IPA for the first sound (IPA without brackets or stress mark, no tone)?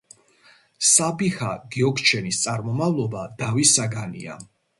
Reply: s